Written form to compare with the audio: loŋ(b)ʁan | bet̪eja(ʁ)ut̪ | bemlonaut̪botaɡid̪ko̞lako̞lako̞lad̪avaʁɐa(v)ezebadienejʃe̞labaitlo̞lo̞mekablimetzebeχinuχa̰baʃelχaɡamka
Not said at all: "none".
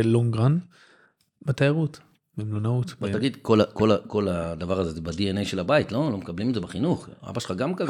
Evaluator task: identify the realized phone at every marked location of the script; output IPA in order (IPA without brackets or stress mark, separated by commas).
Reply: ɡ, ʁ, z